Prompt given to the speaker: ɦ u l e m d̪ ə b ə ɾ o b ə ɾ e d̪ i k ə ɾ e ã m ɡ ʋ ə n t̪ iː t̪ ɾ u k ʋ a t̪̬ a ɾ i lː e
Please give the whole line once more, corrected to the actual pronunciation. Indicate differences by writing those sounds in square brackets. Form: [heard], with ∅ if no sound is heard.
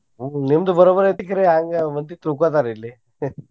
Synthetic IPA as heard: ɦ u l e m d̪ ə b ə ɾ o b ə ɾ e [t̪] i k ə ɾ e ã [ŋ] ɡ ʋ ə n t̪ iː t̪ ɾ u k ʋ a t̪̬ a ɾ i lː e